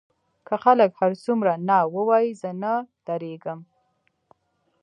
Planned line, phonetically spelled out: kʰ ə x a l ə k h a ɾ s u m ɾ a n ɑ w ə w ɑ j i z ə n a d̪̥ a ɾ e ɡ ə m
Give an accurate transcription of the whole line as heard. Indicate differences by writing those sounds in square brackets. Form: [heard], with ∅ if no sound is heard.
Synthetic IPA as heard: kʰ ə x a l ə k h a ɾ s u m ɾ a n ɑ w ə w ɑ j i z ə n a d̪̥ a ɾ e ɡ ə m